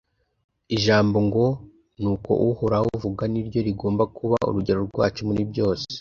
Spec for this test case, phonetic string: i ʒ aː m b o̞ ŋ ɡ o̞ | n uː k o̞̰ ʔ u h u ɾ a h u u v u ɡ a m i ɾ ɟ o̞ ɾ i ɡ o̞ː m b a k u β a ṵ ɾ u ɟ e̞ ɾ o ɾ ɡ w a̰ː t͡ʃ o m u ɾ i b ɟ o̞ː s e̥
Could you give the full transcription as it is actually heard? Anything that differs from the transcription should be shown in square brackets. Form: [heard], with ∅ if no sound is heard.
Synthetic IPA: i ʒ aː m b o̞ ŋ ɡ o̞ | n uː k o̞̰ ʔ u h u ɾ a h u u v u ɡ a [n] i ɾ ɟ o̞ ɾ i ɡ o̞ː m b a k u β a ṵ ɾ u ɟ e̞ ɾ o ɾ ɡ w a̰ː t͡ʃ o m u ɾ i b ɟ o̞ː s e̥